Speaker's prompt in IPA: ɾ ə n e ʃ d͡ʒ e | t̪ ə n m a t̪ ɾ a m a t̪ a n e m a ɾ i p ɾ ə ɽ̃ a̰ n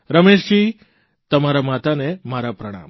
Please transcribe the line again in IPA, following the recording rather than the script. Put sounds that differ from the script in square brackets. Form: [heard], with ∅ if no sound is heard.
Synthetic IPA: ɾ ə [m] e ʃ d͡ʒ [i] | t̪ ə [∅] m a [∅] ɾ a m a t̪ a n e m a ɾ [a] p ɾ ə ɽ̃ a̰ [m]